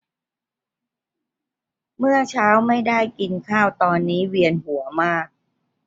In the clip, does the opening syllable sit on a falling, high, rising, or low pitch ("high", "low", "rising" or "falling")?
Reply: falling